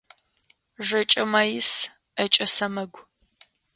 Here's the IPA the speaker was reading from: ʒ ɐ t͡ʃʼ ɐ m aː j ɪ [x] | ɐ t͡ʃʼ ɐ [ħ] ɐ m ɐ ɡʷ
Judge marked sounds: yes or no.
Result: no, no

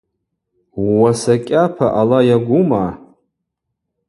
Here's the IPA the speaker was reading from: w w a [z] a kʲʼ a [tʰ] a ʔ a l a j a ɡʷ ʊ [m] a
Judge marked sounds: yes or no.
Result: no, no, yes

